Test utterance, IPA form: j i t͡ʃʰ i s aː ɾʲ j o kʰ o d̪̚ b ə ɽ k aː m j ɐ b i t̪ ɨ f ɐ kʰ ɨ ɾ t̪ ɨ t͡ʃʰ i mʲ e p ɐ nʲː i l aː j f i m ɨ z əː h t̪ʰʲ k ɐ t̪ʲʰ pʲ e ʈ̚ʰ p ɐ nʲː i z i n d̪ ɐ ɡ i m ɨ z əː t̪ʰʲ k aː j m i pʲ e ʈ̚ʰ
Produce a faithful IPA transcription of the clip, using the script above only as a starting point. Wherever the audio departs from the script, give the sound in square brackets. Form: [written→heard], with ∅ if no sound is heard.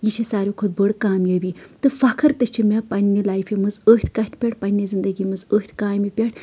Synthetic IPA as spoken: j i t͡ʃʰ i s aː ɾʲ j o kʰ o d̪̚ b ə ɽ k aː m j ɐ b i t̪ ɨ f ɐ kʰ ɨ ɾ t̪ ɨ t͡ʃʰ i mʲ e p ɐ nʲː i l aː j f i m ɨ z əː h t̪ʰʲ k ɐ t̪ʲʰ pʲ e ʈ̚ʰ p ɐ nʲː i z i n d̪ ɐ ɡ i m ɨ z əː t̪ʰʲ k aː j m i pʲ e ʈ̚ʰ